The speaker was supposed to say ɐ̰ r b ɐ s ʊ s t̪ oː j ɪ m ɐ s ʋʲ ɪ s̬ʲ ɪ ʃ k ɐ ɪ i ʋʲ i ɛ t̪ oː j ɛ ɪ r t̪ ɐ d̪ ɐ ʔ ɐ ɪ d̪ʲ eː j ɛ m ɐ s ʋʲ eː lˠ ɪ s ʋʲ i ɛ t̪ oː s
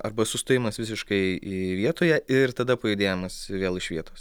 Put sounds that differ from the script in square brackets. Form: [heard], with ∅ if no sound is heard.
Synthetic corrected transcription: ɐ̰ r b ɐ s ʊ s t̪ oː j ɪ m ɐ s ʋʲ ɪ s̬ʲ ɪ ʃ k ɐ ɪ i ʋʲ i ɛ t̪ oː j ɛ ɪ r t̪ ɐ d̪ ɐ [p] ɐ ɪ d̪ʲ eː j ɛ m ɐ s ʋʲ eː lˠ ɪ [ʃ] ʋʲ i ɛ t̪ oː s